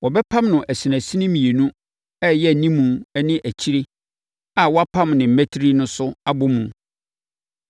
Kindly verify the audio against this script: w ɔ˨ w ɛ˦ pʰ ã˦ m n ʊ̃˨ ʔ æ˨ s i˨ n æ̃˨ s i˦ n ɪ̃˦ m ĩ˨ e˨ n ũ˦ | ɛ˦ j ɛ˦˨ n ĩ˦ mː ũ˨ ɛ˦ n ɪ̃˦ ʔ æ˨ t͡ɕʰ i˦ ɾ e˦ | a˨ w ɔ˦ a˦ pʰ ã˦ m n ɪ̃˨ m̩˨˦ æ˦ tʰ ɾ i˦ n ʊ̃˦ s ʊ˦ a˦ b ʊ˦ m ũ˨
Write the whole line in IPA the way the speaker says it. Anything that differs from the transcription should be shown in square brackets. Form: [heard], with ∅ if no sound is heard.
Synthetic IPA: w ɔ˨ [b] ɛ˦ pʰ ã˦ m n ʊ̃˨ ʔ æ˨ s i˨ n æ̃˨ s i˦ n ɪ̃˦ m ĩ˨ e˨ n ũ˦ | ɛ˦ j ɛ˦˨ n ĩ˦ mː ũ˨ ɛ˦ n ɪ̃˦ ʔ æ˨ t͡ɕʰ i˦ ɾ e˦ | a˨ w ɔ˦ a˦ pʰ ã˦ m n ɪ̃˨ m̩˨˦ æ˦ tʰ ɾ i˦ n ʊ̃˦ s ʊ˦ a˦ b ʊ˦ m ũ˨